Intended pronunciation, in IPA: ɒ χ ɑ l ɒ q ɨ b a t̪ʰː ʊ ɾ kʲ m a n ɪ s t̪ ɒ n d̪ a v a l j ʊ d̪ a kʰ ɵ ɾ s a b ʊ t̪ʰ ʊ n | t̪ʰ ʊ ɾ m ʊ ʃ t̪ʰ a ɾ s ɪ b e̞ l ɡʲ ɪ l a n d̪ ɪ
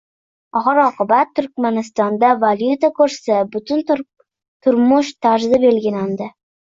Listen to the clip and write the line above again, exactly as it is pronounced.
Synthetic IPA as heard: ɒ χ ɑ ɾ ɒ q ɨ b a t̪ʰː ʊ ɾ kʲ m a n ɪ s t̪ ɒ n d̪ a v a l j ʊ t̪ a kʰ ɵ ɾ s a b ʊ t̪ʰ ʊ n | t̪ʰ ʊ ɾ m ʊ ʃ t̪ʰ a ɾ z ɪ b e̞ l ɡʲ ɪ l a n d̪ ɪ